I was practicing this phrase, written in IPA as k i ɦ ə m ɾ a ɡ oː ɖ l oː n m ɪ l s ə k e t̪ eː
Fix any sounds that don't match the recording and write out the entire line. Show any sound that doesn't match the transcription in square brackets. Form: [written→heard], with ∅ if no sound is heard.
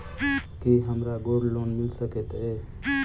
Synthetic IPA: k i ɦ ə m ɾ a ɡ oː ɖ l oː n m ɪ l s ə k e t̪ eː

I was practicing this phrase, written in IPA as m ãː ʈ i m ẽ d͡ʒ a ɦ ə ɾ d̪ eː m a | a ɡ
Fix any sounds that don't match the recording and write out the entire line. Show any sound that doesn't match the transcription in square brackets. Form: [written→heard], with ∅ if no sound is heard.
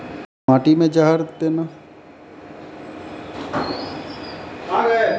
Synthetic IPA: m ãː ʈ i m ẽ d͡ʒ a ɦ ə ɾ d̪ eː [m→n] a | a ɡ

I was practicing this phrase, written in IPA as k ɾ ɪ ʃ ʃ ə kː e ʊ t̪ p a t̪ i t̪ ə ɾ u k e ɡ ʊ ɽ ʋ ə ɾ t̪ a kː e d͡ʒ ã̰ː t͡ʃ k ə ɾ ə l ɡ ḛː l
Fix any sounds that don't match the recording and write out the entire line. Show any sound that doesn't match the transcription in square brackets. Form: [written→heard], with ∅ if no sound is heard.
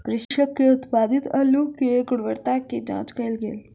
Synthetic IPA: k ɾ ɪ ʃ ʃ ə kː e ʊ t̪ p a [t̪→d̪] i t̪ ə [ɾ→l] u k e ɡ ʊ ɽ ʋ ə ɾ t̪ a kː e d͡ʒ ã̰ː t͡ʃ k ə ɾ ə l ɡ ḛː l

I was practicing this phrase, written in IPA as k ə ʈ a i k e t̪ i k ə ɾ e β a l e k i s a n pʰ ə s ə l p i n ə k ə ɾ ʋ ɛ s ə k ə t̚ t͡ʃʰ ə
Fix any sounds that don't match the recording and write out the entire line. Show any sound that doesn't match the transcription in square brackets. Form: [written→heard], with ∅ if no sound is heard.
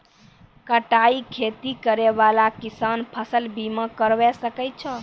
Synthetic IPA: k ə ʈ a i [k→kʰ] e t̪ i k ə ɾ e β a l [e→a] k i s a n pʰ ə s ə l [p→b] i [n→m] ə k ə ɾ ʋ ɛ s ə k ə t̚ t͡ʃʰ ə

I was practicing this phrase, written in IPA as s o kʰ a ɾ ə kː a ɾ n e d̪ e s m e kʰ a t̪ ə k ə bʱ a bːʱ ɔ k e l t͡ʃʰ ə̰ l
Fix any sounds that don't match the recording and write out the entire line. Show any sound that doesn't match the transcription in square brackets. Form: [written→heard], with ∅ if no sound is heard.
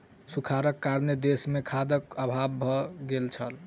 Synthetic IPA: s [o→u] kʰ a ɾ ə kː a ɾ n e d̪ e s m e kʰ a [t̪→d̪] ə k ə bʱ a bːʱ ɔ [k→ɡ] e l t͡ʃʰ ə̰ l

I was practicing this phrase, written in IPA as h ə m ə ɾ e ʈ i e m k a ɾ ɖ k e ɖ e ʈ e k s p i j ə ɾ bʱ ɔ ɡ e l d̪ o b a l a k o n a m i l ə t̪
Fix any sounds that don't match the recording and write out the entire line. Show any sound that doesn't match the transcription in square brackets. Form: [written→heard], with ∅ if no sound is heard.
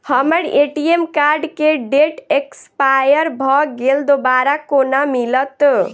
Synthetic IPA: h ə m ə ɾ e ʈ i e m k a ɾ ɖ k e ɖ e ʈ e k s p [i→a] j ə ɾ bʱ ɔ ɡ e l d̪ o b a [l→ɾ] a k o n a m i l ə t̪

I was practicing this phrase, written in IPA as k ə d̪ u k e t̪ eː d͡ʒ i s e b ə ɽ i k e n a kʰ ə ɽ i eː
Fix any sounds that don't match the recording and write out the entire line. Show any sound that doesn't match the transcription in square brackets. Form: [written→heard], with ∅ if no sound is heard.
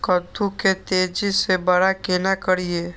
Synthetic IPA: k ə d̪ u k e t̪ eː d͡ʒ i s e b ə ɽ [i→a] k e n a [kʰ→k] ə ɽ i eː

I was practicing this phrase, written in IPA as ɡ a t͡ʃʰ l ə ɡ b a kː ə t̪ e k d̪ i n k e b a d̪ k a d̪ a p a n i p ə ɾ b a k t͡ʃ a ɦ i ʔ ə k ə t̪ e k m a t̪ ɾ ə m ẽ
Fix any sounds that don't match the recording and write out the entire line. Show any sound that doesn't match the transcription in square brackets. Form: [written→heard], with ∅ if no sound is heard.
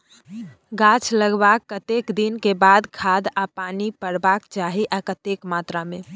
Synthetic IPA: ɡ a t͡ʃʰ l ə ɡ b a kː ə t̪ e k d̪ i n k e b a d̪ [k→kʰ] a d̪ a p a n i p ə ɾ b a k t͡ʃ a ɦ i ʔ [ə→a] k ə t̪ e k m a t̪ ɾ [ə→a] m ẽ

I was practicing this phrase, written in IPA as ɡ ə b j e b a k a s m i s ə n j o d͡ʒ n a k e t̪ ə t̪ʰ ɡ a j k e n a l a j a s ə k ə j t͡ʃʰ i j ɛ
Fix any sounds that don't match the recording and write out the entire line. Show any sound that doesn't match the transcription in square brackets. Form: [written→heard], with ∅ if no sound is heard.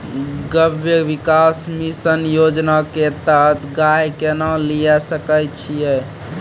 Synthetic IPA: ɡ ə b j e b [a→i] k a s m i s ə n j o d͡ʒ n a k e t̪ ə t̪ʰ ɡ a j k e n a l [a→i] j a s ə k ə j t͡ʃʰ i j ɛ

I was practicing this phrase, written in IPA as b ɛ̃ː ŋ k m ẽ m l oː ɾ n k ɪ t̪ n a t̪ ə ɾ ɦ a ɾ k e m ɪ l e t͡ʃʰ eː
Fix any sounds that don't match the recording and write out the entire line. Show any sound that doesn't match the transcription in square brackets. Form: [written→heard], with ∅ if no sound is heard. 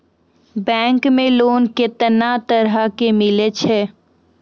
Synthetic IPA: b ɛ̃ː ŋ k m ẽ [m→∅] l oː [ɾ→∅] n k ɪ t̪ n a t̪ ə ɾ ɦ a [ɾ→∅] k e m ɪ l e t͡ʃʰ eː

